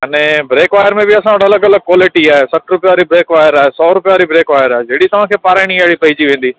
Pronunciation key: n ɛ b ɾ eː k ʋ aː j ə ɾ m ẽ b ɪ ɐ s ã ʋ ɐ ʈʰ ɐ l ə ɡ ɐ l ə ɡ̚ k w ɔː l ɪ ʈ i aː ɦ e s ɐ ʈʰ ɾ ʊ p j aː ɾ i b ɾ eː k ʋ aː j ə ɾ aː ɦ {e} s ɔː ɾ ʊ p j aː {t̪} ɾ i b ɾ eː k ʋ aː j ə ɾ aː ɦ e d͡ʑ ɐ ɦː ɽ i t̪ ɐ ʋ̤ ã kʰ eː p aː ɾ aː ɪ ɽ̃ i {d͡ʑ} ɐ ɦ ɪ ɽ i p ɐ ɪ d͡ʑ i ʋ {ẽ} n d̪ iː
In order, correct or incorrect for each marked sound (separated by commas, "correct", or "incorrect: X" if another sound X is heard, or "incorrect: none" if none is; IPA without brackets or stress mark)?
correct, incorrect: none, incorrect: none, incorrect: ẽː